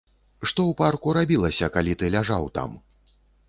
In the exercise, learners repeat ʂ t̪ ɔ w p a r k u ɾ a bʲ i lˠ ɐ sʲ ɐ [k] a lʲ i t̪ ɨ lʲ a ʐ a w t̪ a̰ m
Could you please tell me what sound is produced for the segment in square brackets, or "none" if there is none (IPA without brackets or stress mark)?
k